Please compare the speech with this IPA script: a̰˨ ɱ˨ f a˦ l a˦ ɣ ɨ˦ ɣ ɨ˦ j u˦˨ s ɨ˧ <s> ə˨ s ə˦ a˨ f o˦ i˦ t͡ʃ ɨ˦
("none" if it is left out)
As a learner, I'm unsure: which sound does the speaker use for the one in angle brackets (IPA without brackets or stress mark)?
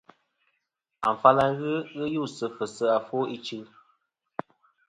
f